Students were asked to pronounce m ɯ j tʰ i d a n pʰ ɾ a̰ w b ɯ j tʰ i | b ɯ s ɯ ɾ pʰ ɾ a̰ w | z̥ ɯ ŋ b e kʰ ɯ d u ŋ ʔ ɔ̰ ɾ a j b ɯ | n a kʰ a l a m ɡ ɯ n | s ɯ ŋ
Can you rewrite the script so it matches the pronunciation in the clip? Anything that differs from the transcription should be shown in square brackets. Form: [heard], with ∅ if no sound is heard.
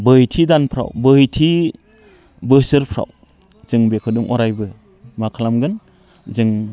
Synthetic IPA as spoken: [b] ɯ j tʰ i d a n pʰ ɾ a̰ w b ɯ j tʰ i | b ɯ s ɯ ɾ pʰ ɾ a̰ w | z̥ ɯ ŋ b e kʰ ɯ d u ŋ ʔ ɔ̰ ɾ a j b ɯ | [m] a kʰ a l a m ɡ ɯ n | [z] ɯ ŋ